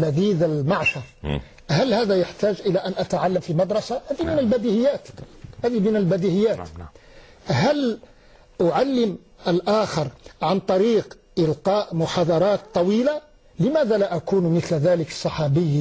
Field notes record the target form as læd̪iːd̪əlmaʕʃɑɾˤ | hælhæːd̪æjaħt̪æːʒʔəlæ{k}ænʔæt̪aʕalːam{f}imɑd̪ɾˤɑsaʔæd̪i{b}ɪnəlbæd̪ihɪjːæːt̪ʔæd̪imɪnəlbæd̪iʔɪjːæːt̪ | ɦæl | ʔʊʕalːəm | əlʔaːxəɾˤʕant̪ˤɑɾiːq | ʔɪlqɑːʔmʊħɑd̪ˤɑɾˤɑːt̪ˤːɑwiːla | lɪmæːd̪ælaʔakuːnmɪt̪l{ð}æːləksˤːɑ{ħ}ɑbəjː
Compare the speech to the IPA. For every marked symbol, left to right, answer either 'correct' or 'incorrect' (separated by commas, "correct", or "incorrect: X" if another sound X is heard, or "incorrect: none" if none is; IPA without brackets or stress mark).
incorrect: ʔ, correct, incorrect: m, correct, correct